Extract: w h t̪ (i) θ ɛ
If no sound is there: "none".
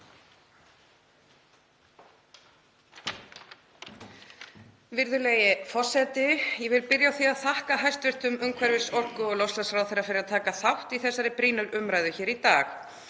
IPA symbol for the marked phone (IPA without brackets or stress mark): i